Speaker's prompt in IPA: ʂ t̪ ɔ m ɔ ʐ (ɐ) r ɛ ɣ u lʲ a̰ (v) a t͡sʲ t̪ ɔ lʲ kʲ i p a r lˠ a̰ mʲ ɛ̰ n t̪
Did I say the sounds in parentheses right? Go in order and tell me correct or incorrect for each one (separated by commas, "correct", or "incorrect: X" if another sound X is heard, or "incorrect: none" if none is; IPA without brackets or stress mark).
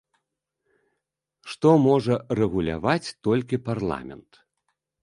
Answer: correct, correct